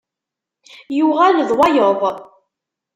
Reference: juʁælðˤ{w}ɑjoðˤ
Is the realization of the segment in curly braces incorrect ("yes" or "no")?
no